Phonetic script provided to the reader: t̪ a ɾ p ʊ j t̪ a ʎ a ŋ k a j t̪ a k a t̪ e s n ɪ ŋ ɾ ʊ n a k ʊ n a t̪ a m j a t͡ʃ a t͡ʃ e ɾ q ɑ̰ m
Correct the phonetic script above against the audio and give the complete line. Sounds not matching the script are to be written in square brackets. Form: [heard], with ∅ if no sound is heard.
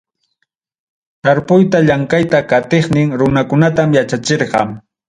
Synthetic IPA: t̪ a ɾ p ʊ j t̪ a ʎ a ŋ k a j t̪ a k a t̪ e [χ] n ɪ ŋ ɾ ʊ n a k ʊ n a t̪ a m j a t͡ʃ a t͡ʃ e ɾ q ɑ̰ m